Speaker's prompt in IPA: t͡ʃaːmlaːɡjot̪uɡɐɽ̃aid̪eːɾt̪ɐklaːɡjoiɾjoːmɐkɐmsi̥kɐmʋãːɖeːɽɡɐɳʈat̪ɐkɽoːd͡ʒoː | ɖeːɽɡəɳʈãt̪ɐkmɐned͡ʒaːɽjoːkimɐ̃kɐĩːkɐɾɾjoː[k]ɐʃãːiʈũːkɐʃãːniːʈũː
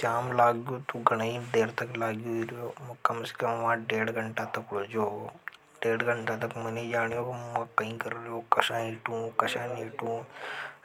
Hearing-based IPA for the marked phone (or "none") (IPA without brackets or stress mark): k